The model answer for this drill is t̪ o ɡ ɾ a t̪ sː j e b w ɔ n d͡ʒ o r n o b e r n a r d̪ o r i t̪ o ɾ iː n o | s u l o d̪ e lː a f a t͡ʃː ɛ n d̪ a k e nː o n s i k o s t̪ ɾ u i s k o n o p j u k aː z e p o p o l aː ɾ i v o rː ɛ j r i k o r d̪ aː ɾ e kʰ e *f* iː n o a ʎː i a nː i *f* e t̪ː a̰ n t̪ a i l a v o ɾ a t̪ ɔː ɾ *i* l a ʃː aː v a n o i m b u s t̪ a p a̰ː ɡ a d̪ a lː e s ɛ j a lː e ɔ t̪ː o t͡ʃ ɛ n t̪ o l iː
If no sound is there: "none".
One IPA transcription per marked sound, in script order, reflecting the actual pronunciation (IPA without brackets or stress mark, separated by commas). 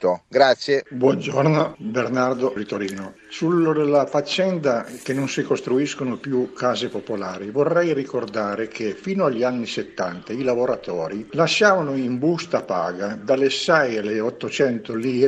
f, s, i